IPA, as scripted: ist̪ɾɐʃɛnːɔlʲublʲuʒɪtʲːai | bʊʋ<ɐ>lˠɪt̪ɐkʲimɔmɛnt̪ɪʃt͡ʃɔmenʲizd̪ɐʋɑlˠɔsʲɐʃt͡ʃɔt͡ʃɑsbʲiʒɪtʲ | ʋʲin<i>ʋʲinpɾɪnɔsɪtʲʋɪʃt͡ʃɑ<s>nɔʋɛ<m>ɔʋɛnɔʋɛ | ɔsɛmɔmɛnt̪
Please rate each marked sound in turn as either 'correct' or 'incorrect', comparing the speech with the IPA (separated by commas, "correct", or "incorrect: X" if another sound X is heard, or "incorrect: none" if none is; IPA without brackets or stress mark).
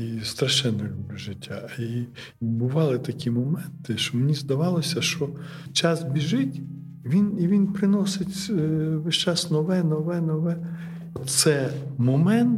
incorrect: ɑ, correct, correct, incorrect: n